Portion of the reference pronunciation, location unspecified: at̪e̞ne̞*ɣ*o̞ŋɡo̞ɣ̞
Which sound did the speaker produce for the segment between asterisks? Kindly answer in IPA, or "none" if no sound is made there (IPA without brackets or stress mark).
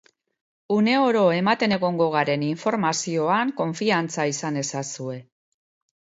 ɣ